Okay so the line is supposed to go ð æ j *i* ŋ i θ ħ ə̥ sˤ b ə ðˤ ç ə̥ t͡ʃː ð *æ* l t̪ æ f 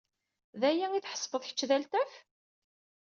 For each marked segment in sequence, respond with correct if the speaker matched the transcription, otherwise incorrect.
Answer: incorrect, correct

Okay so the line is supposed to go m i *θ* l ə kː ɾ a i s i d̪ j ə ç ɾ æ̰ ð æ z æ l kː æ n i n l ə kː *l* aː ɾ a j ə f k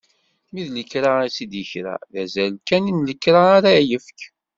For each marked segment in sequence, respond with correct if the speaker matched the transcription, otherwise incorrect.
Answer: incorrect, incorrect

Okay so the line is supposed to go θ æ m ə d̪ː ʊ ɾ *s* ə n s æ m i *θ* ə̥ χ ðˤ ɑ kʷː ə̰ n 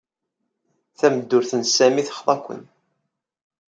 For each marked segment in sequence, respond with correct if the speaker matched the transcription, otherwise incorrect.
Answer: incorrect, correct

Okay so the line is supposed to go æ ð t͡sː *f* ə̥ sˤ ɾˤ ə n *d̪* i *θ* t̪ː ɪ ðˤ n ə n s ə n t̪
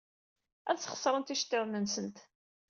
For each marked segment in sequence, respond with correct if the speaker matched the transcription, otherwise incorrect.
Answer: incorrect, incorrect, incorrect

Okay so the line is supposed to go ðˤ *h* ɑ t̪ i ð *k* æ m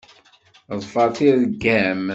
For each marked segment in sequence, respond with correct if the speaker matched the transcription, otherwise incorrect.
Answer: incorrect, incorrect

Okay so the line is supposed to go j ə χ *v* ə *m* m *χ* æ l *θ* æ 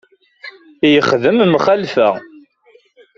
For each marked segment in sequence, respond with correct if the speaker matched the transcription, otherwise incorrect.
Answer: incorrect, correct, correct, incorrect

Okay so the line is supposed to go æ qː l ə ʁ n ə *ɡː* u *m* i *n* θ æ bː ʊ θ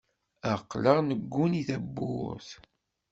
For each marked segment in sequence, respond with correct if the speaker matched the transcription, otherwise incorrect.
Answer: correct, incorrect, incorrect

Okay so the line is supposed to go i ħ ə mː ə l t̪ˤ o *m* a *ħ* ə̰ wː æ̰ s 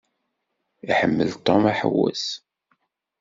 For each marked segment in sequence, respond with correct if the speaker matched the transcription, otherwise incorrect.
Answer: correct, correct

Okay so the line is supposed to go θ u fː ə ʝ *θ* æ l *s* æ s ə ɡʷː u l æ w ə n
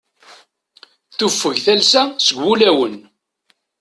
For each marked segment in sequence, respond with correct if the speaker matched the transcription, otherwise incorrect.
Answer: correct, correct

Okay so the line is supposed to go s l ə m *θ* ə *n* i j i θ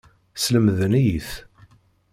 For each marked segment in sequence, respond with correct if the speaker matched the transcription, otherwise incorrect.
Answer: incorrect, correct

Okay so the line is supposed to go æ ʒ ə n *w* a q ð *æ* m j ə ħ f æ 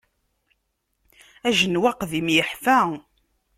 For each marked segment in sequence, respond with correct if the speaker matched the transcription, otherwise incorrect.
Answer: correct, incorrect

